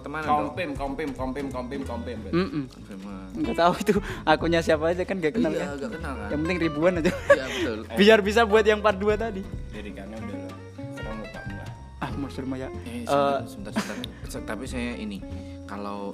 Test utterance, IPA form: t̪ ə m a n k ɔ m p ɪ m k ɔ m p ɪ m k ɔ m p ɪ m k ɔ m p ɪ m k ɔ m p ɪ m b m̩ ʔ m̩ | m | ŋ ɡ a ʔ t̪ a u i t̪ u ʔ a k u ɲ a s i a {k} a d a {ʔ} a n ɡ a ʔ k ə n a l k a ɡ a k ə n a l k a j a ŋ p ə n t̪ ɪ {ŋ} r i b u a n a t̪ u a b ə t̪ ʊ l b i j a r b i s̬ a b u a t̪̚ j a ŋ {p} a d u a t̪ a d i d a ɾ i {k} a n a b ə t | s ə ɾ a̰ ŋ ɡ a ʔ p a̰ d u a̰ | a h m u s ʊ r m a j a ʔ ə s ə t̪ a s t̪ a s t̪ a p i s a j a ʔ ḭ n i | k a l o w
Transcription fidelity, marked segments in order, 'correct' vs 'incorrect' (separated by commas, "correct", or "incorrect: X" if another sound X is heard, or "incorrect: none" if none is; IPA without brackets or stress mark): incorrect: p, incorrect: k, correct, correct, correct